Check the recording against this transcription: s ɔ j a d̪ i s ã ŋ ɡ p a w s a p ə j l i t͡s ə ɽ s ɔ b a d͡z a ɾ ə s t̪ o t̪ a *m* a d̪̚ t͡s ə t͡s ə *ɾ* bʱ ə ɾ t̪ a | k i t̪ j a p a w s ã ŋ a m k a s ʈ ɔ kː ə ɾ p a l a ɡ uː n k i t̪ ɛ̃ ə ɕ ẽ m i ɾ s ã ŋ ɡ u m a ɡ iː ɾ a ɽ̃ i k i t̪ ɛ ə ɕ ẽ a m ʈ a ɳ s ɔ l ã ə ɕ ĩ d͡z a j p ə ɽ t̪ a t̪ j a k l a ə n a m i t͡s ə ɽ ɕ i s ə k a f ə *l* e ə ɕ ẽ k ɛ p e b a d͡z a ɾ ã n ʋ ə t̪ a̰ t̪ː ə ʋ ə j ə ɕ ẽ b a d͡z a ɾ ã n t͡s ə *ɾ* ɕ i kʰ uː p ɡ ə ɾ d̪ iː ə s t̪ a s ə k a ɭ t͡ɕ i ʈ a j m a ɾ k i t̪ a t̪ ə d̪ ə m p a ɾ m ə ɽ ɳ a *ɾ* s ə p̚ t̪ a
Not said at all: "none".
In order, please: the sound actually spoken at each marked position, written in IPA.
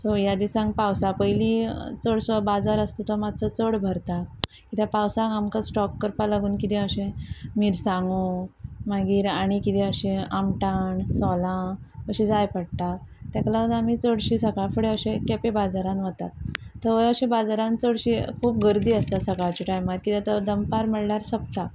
m, ɽ, ɽ, ɽ, ɾ

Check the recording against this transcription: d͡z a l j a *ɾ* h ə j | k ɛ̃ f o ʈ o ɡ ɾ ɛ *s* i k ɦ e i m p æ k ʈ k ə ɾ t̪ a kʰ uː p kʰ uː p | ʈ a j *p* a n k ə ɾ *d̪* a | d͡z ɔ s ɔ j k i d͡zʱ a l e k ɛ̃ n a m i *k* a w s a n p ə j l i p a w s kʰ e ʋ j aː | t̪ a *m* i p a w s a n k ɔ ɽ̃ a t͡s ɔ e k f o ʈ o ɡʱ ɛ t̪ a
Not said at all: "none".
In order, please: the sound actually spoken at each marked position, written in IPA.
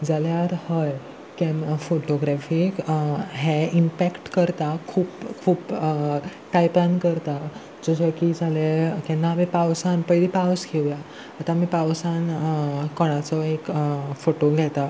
ɾ, f, p, t̪, p, m

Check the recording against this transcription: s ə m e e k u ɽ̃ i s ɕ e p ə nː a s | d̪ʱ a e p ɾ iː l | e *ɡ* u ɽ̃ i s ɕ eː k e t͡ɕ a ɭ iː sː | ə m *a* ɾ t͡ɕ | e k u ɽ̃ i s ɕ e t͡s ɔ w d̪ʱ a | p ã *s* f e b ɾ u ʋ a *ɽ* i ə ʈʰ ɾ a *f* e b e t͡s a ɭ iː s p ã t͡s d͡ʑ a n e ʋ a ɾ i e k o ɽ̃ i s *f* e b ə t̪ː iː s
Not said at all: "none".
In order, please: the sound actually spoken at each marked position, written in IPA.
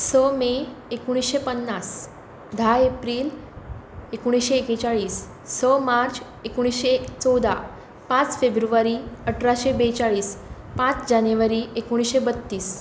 k, a, t͡s, ɾ, ɕ, ɕ

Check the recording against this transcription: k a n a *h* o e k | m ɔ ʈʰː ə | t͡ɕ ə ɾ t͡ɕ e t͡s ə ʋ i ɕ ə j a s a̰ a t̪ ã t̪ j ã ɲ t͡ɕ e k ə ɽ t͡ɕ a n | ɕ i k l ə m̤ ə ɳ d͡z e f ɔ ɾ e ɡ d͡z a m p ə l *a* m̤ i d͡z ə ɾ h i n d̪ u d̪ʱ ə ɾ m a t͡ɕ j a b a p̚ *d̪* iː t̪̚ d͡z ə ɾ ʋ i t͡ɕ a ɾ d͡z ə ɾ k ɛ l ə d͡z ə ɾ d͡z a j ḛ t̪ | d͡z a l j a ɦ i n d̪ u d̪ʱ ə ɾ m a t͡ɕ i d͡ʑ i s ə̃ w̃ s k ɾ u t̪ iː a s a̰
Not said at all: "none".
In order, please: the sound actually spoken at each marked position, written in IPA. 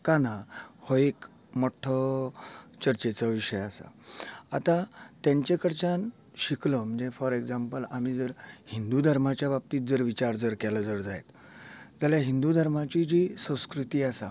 h, a, t̪

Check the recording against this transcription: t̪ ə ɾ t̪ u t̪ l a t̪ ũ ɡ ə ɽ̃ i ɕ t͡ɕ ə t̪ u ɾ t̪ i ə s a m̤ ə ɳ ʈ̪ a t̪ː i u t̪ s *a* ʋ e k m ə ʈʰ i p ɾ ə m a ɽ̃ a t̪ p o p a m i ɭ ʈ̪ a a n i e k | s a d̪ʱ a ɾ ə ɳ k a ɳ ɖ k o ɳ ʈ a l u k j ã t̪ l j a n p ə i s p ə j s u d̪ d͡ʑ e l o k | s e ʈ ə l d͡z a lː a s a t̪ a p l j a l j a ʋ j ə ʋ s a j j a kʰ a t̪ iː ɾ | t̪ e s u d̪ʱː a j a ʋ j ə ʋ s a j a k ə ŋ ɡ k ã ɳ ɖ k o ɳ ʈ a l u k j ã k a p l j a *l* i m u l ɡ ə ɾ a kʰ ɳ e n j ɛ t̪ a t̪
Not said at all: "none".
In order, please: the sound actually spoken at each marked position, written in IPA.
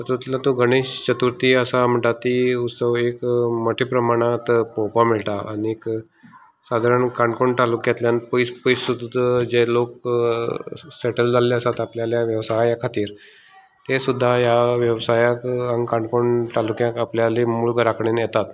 ə, l

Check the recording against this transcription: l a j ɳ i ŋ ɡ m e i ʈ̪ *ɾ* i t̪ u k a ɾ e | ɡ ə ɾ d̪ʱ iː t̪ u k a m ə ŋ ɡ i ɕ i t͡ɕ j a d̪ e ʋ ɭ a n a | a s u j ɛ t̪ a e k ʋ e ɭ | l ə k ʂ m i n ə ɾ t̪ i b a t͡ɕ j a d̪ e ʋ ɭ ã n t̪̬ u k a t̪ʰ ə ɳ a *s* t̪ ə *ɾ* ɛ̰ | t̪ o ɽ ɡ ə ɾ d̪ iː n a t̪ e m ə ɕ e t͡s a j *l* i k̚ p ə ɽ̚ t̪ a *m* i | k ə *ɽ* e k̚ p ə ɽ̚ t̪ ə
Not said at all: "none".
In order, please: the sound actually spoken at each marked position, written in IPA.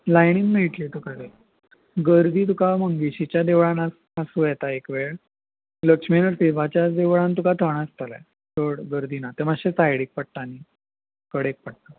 l, s, l, ɽ, n, ɽ

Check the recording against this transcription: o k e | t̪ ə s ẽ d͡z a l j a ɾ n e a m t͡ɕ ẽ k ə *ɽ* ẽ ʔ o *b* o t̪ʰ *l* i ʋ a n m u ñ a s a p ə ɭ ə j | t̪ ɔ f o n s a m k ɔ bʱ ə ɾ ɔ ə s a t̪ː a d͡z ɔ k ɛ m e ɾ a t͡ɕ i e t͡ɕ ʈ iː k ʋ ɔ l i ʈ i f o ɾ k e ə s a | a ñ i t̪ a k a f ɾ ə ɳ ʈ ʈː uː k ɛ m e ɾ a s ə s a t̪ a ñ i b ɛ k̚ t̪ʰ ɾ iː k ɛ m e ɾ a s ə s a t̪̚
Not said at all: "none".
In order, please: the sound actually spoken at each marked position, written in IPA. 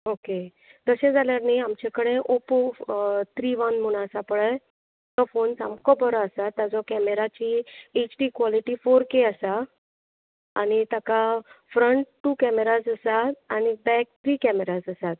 ɽ, p, ɾ

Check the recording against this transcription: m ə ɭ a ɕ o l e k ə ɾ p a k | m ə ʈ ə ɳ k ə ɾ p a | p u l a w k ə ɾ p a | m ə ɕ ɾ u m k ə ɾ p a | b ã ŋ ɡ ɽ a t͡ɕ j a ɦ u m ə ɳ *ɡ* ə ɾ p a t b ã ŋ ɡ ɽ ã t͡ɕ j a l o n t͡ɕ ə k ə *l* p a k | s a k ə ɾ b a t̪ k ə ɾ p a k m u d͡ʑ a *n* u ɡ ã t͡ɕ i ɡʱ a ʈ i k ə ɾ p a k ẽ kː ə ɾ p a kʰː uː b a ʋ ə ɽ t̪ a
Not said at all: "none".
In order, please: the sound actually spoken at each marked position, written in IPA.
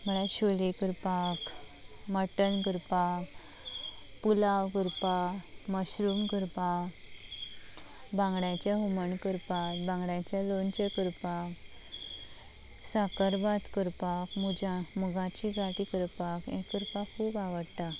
k, ɾ, m

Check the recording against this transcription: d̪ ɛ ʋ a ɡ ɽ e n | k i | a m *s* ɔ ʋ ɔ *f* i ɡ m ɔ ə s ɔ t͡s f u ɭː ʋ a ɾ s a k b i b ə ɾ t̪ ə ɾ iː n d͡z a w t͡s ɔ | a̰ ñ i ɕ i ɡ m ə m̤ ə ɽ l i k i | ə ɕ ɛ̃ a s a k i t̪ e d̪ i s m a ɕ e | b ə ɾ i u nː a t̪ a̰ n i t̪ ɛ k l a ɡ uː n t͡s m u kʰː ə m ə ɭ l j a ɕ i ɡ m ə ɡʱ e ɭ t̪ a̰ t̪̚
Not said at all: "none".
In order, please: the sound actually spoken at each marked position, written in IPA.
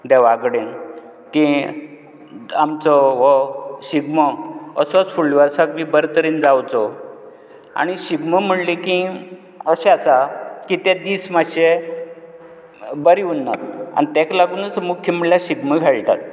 t͡s, ɕ

